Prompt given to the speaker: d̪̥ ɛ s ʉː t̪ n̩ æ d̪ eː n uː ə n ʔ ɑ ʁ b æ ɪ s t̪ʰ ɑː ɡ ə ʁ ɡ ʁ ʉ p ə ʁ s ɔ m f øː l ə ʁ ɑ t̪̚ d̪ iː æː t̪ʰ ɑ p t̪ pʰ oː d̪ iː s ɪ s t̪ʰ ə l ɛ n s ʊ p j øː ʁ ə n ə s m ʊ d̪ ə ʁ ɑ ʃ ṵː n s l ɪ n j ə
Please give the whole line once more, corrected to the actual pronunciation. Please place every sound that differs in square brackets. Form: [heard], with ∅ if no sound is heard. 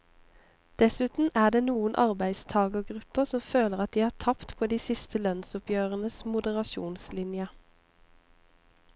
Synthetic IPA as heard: d̪̥ ɛ s ʉː t̪ n̩ [æː] d̪ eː n uː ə n ʔ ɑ ʁ b æ ɪ s t̪ʰ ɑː ɡ ə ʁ ɡ ʁ ʉ p ə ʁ s ɔ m f øː l ə ʁ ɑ t̪̚ d̪ iː æː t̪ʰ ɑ p t̪ pʰ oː d̪ iː s ɪ s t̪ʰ ə l [œ] n s ʊ p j øː ʁ ə n ə s m ʊ d̪ ə ʁ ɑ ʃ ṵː n s l ɪ n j ə